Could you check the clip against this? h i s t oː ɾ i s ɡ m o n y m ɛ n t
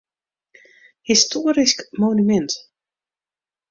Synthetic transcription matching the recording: h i s t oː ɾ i s k m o n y m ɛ n t